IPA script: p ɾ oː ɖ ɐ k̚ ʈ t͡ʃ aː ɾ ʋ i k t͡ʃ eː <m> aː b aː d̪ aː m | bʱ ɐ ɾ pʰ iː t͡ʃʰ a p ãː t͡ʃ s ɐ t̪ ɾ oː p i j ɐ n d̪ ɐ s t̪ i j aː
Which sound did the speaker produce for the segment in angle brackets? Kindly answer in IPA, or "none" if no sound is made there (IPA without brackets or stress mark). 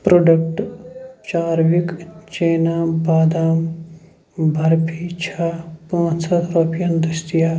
n